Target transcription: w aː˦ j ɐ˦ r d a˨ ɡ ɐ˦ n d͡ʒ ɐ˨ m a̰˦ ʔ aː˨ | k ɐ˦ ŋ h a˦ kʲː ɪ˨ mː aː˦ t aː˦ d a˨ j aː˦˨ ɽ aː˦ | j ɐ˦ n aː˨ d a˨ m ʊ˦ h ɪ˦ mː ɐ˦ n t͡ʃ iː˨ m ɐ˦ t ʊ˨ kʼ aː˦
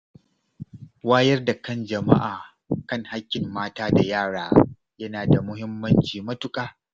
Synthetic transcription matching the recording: w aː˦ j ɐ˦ r d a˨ k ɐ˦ n d͡ʒ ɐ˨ m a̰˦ ʔ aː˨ | k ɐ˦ ŋ h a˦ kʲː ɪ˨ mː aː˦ t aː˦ d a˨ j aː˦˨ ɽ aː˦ | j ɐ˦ n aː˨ d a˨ m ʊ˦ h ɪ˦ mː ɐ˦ n t͡ʃ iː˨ m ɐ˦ t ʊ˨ kʼ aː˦